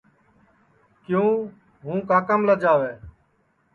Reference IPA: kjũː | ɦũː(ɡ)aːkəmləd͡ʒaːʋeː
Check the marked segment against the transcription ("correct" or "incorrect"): incorrect